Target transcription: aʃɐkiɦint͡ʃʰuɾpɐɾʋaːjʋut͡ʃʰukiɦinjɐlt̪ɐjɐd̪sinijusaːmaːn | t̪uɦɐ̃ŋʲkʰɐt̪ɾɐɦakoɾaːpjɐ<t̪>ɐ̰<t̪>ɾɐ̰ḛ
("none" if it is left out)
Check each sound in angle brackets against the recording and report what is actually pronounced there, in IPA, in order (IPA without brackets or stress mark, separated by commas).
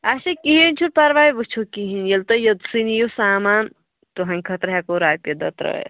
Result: d̪, t̪